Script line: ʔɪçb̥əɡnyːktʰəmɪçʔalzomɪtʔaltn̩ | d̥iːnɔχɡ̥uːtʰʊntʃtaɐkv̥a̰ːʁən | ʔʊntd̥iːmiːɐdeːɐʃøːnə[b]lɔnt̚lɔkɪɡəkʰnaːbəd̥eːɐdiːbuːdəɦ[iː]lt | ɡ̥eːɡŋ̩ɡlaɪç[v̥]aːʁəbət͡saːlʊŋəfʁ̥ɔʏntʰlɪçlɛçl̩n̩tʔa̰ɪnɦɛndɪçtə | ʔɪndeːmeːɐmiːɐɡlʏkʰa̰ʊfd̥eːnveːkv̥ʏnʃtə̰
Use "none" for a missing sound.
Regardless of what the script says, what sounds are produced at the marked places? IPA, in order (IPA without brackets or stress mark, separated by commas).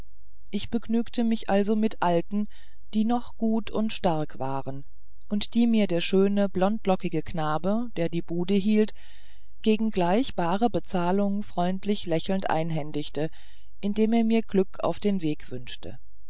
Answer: b, iː, b̥